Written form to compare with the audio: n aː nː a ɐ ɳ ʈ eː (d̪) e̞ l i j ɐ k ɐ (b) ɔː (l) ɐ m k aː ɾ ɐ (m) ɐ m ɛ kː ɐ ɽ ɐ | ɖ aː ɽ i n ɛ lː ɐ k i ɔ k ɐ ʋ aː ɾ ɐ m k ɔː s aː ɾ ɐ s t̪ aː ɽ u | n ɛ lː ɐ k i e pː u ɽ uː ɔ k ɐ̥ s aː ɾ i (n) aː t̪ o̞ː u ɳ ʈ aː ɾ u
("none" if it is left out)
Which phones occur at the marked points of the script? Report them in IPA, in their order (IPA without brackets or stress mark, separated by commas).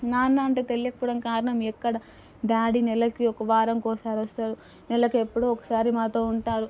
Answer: t̪, p, ɽ, ɳ, m